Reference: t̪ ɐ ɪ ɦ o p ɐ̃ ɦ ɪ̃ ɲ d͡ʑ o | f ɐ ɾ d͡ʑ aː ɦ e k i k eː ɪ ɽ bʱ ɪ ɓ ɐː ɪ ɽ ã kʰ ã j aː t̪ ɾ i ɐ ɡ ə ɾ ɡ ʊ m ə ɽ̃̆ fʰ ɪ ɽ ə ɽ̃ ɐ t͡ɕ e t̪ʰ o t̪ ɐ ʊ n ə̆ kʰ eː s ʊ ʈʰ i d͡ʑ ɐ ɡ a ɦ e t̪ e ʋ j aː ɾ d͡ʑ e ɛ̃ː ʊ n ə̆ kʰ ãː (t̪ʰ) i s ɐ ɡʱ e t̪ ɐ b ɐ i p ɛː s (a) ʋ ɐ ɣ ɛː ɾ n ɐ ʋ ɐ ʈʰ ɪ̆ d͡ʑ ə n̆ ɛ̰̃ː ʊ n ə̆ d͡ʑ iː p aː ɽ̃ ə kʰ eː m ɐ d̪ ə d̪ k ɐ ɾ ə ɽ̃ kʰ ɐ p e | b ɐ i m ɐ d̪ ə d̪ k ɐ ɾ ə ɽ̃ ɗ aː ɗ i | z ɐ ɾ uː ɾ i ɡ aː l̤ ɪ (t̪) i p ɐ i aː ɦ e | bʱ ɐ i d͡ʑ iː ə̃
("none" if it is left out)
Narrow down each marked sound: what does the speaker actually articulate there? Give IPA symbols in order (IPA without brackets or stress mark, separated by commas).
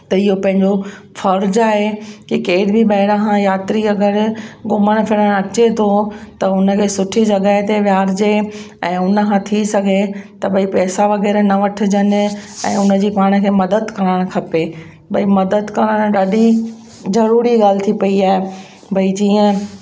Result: t̪ʰ, a, t̪ʰ